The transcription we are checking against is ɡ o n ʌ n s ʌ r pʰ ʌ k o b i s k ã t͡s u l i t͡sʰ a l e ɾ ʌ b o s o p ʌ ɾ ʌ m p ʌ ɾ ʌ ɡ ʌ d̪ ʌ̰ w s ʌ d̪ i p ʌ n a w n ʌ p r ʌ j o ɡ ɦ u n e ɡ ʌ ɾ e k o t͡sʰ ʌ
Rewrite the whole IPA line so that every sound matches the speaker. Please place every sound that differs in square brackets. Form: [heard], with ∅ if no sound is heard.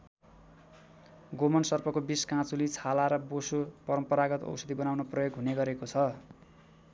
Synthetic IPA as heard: ɡ o [m] ʌ n s ʌ r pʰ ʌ k o b i s k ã t͡s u l i t͡sʰ a l [a] ɾ ʌ b o s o p ʌ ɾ ʌ m p ʌ ɾ [a] ɡ ʌ [t̪] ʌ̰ w s ʌ d̪ i [b] ʌ n a w n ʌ p r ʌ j o ɡ ɦ u n e ɡ ʌ ɾ e k o t͡sʰ ʌ